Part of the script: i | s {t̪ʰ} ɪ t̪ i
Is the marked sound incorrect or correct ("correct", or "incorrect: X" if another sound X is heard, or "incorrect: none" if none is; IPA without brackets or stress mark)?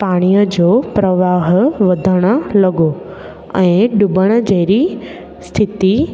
correct